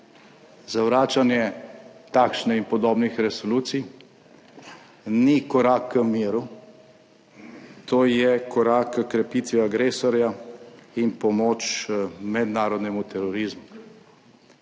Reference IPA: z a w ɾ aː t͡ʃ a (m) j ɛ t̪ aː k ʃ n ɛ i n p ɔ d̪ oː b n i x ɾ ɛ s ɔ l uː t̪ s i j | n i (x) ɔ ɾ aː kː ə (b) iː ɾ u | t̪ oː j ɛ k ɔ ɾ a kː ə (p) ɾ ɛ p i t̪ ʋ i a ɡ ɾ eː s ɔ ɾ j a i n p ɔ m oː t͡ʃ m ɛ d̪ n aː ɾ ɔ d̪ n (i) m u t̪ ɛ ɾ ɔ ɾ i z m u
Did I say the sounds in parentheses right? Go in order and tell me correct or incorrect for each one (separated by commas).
incorrect, incorrect, incorrect, incorrect, incorrect